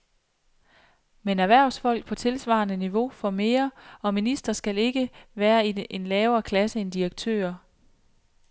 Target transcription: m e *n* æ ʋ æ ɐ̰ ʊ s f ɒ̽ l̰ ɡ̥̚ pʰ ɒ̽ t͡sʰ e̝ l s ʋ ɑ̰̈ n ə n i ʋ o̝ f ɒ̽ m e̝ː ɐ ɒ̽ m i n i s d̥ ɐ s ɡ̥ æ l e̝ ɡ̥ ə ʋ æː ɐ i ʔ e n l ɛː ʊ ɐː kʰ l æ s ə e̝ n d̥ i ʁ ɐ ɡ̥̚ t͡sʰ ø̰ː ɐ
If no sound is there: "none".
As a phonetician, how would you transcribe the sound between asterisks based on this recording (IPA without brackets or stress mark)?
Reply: n